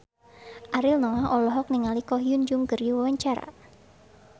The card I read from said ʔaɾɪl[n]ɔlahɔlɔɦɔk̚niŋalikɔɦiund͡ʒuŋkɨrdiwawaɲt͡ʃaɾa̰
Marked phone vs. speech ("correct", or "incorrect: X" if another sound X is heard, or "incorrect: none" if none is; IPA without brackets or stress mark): correct